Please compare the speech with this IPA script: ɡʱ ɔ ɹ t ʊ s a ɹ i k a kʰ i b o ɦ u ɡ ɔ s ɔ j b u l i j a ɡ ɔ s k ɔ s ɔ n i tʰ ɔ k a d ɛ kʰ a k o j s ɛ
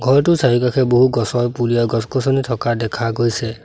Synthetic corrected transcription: ɡʱ ɔ ɹ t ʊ s a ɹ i k a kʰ ɛ b o ɦ u ɡ ɔ s ɔ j p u l i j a ɡ ɔ s k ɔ s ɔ n i tʰ ɔ k a d ɛ kʰ a ɡ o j s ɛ